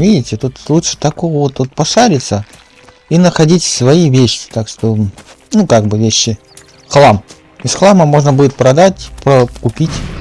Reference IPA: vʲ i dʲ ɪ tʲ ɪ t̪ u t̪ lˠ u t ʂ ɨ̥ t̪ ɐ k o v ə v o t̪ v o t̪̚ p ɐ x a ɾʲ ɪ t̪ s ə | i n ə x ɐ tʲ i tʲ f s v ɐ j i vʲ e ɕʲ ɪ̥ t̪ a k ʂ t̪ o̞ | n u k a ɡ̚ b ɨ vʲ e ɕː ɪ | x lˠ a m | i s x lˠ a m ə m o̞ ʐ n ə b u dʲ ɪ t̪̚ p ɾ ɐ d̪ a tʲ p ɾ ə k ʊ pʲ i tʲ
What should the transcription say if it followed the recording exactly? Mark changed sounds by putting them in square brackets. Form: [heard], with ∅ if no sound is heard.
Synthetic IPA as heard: vʲ i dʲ ɪ tʲ ɪ t̪ u t̪ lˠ u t ʂ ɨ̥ t̪ ɐ k o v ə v o t̪ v o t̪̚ p ɐ [ʂ] a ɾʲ ɪ t̪ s ə | i n ə x ɐ [dʲ] i tʲ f s v ɐ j i vʲ e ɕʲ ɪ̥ t̪ a k ʂ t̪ o̞ | n u k a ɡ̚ b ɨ vʲ e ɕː ɪ | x lˠ a m | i s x lˠ a m ə m o̞ ʐ n ə b u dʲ ɪ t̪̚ p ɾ ɐ d̪ a tʲ p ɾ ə k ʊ pʲ i tʲ

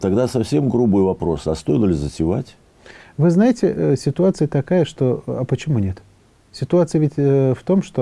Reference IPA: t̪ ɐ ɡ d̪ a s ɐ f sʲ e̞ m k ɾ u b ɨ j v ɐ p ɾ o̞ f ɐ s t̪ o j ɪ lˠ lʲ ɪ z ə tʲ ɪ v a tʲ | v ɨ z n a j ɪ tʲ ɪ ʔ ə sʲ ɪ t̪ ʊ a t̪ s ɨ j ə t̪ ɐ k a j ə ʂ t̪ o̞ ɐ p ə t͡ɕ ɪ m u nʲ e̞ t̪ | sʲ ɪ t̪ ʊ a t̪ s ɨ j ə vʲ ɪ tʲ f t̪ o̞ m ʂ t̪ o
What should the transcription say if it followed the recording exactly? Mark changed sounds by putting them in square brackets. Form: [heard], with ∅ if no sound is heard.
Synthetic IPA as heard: t̪ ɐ ɡ d̪ a s ɐ f sʲ e̞ m [ɡ] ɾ u b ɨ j v ɐ p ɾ o̞ [s] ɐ s t̪ o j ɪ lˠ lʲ ɪ z ə tʲ ɪ v a tʲ | v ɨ z n a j ɪ tʲ ɪ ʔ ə sʲ ɪ t̪ ʊ a t̪ s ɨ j ə t̪ ɐ k a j ə ʂ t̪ o̞ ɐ p ə t͡ɕ ɪ m u nʲ e̞ t̪ | sʲ ɪ t̪ ʊ a t̪ s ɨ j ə vʲ ɪ tʲ f t̪ o̞ m ʂ t̪ o

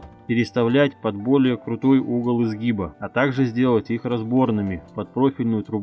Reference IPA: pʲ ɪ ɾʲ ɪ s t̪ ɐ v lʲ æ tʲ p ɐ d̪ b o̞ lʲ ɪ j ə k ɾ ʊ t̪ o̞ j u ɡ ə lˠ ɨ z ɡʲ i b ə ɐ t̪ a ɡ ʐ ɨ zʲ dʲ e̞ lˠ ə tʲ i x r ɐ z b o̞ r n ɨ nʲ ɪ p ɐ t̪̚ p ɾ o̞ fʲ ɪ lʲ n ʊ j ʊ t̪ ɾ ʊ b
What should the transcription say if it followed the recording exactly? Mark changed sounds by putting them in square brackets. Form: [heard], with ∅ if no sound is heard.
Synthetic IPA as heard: pʲ ɪ ɾʲ ɪ s t̪ ɐ v lʲ æ tʲ p ɐ d̪ b o̞ lʲ ɪ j ə k ɾ ʊ t̪ o̞ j u ɡ ə lˠ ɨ z ɡʲ i b ə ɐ t̪ a ɡ ʐ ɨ zʲ dʲ e̞ lˠ ə tʲ i x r ɐ z b o̞ r n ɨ [mʲ] ɪ p ɐ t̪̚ p ɾ o̞ fʲ ɪ lʲ n ʊ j ʊ t̪ ɾ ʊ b

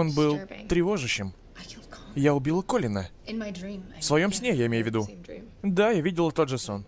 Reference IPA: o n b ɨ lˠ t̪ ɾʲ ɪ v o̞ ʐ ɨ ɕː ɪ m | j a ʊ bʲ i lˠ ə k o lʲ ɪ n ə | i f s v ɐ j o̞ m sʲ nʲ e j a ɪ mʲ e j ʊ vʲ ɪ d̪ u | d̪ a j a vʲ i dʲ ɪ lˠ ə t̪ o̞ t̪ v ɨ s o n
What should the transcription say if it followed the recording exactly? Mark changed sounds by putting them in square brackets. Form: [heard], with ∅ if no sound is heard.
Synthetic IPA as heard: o n b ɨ lˠ t̪ ɾʲ ɪ v o̞ ʐ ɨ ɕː ɪ m | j a ʊ bʲ i lˠ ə k o lʲ ɪ n ə | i f s v ɐ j o̞ m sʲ nʲ e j a ɪ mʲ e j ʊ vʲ ɪ d̪ u | d̪ a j a vʲ i dʲ ɪ lˠ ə t̪ o̞ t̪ [ʐ] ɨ s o n

